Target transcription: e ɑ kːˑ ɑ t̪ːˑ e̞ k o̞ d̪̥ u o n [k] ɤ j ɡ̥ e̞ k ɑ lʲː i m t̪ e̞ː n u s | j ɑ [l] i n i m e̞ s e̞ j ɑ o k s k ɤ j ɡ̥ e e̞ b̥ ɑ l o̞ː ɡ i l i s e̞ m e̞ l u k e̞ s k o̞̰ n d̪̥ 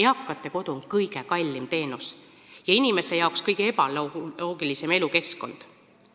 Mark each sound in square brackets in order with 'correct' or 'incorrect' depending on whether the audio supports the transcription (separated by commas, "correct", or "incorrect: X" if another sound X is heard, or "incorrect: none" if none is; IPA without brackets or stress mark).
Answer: correct, incorrect: none